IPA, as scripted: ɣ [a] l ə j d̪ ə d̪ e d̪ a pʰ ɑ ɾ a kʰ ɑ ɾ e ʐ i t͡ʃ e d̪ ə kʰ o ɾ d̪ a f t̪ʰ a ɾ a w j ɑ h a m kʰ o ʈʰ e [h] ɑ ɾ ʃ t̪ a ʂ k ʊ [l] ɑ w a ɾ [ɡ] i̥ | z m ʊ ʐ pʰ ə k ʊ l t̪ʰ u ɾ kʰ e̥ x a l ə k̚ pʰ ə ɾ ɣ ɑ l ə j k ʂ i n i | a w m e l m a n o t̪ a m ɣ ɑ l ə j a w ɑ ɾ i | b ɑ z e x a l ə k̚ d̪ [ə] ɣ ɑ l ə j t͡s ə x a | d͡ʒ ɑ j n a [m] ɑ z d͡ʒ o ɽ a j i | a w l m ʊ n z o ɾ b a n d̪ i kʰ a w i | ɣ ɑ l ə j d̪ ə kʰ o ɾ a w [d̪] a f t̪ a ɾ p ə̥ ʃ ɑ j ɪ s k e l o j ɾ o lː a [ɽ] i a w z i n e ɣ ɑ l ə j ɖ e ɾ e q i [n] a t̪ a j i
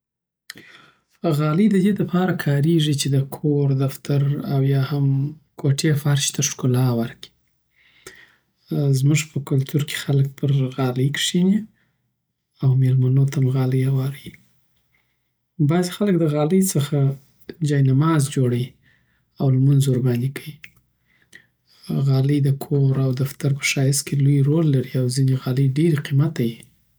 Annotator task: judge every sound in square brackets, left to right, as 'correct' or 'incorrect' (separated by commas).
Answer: incorrect, incorrect, correct, incorrect, correct, correct, correct, incorrect, incorrect